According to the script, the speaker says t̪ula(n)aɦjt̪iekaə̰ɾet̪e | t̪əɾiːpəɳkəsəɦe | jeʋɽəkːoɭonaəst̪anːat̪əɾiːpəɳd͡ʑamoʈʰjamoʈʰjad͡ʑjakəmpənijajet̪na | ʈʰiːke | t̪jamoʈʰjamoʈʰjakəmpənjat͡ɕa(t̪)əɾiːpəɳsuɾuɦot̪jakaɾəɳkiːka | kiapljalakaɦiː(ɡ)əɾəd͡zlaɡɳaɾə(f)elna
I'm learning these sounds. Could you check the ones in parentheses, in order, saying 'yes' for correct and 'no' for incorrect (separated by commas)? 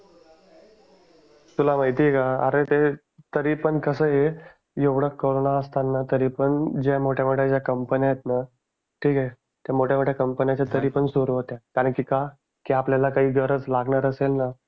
no, yes, yes, no